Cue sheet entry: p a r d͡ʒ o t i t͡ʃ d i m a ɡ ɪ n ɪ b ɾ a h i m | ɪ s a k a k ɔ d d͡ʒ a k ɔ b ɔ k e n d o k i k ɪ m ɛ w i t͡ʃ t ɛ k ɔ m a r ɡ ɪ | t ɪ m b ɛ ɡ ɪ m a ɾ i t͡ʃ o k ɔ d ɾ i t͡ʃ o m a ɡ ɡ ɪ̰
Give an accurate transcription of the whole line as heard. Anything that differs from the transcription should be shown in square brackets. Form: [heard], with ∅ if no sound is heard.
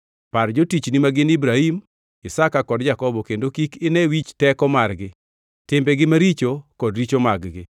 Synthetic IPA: p a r d͡ʒ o t i t͡ʃ [n] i m a ɡ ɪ n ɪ b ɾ a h i m | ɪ s a k a k ɔ d d͡ʒ a k ɔ b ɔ k e n d o k i k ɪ [n] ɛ w i t͡ʃ t ɛ k ɔ m a r ɡ ɪ | t ɪ m b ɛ ɡ ɪ m a ɾ i t͡ʃ o k ɔ d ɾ i t͡ʃ o m a ɡ ɡ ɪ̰